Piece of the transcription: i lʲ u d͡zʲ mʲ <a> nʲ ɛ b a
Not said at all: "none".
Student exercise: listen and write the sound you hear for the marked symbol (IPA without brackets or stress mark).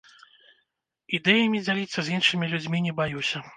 i